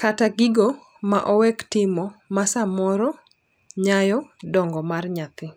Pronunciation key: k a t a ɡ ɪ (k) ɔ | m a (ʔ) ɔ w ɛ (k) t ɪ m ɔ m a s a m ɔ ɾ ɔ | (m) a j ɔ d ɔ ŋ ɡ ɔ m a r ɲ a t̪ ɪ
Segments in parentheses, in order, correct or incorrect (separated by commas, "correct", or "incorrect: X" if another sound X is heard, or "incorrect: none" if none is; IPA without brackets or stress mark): incorrect: ɡ, correct, correct, incorrect: ɲ